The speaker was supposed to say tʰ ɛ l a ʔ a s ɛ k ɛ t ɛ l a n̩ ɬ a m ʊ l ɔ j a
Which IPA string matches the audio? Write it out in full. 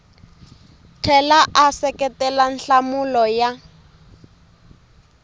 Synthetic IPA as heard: tʰ ɛ l a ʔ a s ɛ k ɛ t ɛ l a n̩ ɬ a m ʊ l ɔ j a